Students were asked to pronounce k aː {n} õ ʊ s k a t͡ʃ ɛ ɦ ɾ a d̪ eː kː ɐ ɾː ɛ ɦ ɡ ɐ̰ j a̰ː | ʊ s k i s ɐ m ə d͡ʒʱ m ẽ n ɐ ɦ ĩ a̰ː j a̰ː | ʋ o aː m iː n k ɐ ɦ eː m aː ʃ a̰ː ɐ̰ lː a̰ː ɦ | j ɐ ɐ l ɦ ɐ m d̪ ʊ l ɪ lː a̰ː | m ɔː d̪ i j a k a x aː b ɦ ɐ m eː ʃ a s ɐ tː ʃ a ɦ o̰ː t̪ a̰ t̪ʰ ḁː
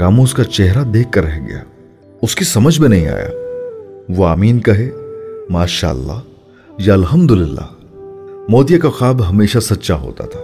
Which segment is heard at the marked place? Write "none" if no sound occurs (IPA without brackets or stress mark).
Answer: m